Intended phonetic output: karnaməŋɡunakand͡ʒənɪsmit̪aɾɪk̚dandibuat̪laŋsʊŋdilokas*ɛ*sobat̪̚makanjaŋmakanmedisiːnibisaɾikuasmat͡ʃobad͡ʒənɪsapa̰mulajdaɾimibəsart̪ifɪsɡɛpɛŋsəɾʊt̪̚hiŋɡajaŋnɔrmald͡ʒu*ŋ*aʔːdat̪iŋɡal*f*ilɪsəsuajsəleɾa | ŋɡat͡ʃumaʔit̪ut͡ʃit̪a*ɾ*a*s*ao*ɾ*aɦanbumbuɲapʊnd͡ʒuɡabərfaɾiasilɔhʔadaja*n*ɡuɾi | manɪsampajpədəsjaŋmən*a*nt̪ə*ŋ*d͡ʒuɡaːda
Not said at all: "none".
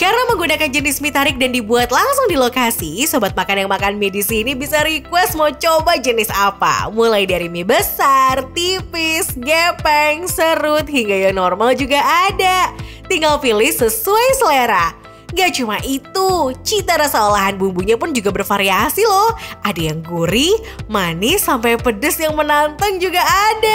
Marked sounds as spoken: i, ɡ, f, ɾ, s, l, ŋ, a, ŋ

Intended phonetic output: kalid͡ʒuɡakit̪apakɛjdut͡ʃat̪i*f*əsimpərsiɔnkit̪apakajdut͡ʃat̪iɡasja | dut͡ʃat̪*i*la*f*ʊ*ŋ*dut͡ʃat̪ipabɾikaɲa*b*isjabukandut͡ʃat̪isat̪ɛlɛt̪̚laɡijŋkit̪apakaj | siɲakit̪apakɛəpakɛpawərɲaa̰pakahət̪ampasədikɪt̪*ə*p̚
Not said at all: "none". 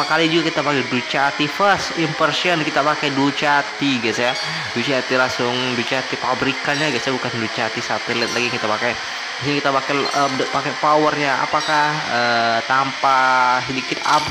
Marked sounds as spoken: f, i, s, ŋ, ɡ, a

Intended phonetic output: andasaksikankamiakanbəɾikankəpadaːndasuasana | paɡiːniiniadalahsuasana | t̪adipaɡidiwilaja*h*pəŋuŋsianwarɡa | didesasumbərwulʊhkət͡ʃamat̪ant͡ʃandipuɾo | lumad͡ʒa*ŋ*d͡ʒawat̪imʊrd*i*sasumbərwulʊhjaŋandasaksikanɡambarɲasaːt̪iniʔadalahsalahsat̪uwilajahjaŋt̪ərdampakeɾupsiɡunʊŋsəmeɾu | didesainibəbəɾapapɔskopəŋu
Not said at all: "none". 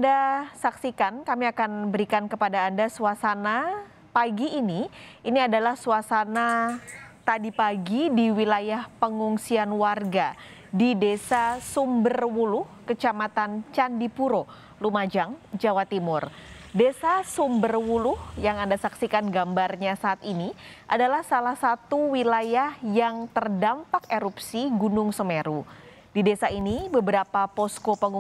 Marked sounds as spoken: h, ŋ, e

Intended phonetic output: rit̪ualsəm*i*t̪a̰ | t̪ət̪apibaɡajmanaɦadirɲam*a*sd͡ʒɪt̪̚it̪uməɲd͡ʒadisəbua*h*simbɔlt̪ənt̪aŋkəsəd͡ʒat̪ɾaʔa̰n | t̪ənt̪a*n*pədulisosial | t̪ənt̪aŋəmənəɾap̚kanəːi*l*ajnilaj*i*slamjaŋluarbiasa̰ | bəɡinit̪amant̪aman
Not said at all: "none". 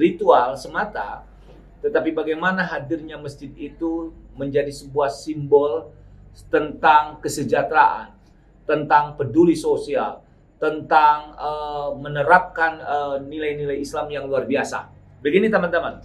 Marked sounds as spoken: a, ə, h, ŋ, l, i

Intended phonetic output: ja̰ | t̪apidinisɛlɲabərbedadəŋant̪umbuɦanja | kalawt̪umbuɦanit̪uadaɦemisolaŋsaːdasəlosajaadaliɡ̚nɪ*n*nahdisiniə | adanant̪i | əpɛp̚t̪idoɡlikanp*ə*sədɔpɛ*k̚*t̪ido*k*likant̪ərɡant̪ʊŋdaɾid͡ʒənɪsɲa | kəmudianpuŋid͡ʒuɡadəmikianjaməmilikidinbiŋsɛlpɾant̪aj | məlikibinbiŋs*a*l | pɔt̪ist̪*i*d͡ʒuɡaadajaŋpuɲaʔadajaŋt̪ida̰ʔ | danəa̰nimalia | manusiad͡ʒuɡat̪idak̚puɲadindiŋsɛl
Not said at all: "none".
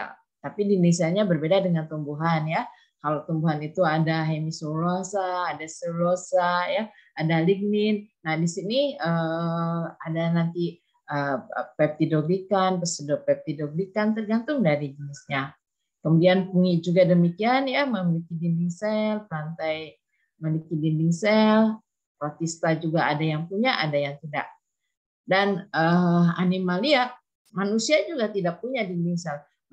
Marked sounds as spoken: n, ə, p̚, ɡ, ɛ, a

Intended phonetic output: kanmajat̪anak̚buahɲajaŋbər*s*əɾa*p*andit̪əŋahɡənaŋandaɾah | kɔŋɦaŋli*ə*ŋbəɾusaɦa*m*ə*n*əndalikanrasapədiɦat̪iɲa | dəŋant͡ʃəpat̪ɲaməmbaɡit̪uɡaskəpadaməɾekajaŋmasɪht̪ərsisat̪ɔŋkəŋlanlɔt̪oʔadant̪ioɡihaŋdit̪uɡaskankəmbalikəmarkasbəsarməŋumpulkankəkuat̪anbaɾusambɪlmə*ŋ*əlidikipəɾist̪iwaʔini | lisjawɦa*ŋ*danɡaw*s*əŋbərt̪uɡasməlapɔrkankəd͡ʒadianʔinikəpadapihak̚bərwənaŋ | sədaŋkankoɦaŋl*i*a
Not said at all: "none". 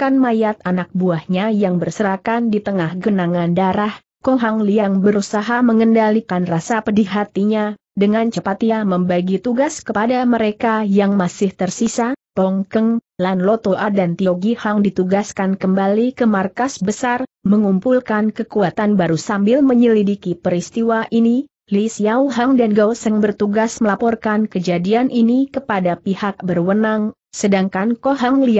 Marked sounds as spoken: s, k, a, m, ŋ, ɲ, ŋ, s, i

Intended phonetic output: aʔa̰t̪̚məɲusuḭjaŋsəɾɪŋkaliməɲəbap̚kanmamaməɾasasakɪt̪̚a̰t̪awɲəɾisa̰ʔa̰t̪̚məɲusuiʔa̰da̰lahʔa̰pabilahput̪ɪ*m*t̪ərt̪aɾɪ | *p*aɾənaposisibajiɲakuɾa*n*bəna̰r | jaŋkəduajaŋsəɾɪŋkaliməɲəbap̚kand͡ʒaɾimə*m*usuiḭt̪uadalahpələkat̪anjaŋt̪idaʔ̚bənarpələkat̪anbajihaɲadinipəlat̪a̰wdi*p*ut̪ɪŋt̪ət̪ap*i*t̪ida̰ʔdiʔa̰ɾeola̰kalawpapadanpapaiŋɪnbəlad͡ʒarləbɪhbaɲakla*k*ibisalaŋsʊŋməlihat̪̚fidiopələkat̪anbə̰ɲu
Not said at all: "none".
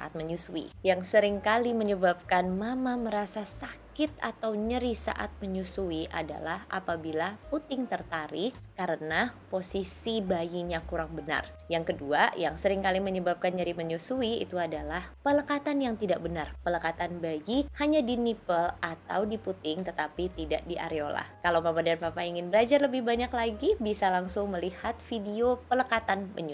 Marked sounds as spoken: ŋ, k, ŋ, ɲ, p, i, ɡ

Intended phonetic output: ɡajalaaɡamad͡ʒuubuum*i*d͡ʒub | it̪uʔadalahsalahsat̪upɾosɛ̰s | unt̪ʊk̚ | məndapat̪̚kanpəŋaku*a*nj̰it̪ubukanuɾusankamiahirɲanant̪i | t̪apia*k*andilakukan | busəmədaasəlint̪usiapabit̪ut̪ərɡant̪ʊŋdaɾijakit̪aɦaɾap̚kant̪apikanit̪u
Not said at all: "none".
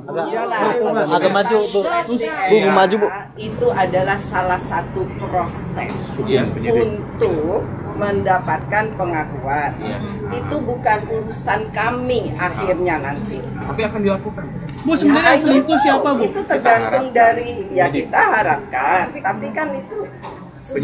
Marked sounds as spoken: a, a, k

